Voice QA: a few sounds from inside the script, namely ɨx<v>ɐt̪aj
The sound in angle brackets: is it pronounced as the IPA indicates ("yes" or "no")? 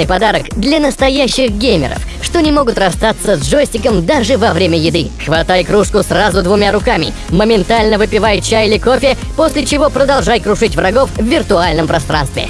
yes